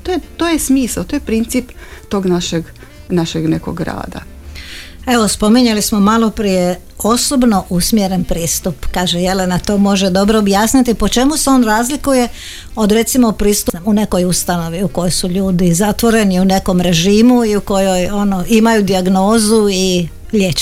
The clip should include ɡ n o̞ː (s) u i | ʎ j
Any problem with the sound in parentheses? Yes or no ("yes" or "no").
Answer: yes